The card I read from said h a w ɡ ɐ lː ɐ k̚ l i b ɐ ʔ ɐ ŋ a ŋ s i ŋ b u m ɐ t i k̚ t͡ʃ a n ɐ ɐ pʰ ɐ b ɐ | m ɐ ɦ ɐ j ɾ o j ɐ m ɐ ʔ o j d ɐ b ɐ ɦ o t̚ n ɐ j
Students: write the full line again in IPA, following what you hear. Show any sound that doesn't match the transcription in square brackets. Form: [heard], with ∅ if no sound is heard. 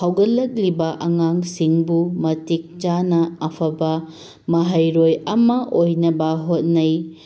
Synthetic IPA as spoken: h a w ɡ ɐ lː ɐ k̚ l i b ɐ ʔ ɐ ŋ a ŋ s i ŋ b u m ɐ t i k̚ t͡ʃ a n ɐ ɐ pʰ ɐ b ɐ | m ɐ ɦ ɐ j ɾ o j ɐ m ɐ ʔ o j [n] ɐ b ɐ ɦ o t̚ n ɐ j